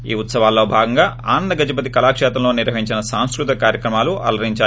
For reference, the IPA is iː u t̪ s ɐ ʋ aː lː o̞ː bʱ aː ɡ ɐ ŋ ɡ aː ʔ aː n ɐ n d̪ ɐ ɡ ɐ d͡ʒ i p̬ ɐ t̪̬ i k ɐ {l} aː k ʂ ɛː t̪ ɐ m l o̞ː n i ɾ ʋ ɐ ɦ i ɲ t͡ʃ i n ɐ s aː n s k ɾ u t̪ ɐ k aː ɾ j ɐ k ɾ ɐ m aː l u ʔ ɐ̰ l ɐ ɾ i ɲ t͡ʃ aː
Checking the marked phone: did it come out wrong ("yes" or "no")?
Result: no